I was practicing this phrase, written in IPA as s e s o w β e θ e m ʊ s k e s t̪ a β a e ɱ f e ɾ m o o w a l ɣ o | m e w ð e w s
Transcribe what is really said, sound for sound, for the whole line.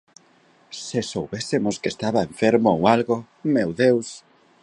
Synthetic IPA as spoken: s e s o w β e s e m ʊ s k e s t̪ a β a e ɱ f e ɾ m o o w a l ɣ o | m e w ð e w s